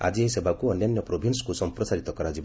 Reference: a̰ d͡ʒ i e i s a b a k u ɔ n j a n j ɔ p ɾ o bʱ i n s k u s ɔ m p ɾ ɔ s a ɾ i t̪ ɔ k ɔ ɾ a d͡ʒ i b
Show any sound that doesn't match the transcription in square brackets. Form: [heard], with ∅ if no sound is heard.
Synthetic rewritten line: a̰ d͡ʒ i e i s [e] b a k u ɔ n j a n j ɔ p ɾ o bʱ i n s k u s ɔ m p ɾ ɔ s a ɾ i t̪ ɔ k ɔ ɾ a d͡ʒ i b